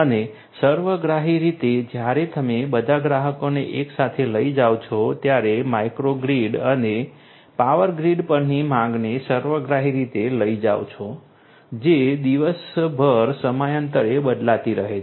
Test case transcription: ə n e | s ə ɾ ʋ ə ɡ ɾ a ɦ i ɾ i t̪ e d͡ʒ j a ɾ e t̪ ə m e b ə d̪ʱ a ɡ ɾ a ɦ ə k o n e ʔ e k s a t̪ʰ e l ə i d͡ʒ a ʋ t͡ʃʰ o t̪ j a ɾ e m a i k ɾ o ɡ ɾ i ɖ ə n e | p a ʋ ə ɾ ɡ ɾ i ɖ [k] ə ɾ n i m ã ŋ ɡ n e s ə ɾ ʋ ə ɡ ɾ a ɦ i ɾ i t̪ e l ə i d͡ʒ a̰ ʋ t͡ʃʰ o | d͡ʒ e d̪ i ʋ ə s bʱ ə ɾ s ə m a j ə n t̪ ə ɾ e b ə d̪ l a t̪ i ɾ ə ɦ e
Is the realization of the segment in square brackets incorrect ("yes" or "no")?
yes